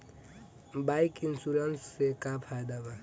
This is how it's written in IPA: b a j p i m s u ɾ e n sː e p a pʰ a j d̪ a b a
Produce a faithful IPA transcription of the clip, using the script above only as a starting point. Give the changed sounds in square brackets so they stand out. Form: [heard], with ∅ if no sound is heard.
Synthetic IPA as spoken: b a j [k] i [n] s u ɾ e n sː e [k] a pʰ a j d̪ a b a